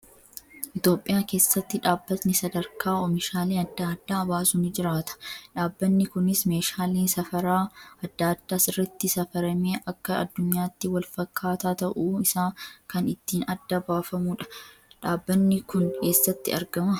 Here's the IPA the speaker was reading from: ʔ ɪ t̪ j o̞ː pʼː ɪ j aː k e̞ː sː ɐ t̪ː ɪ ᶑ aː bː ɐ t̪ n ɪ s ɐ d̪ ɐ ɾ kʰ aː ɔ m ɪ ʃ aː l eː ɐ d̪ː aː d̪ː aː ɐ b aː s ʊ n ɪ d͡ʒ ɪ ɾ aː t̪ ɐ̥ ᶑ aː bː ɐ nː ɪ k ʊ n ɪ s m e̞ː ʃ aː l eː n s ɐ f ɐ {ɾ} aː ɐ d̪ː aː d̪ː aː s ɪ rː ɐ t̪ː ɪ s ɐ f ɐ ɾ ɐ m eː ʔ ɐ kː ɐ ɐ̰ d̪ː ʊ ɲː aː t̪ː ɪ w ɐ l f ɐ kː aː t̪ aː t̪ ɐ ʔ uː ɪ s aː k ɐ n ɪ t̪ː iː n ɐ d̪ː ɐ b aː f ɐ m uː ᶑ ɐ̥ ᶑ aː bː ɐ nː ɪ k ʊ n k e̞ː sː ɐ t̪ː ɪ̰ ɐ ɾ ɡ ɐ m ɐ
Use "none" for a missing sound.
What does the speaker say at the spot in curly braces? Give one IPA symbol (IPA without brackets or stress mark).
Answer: ɾ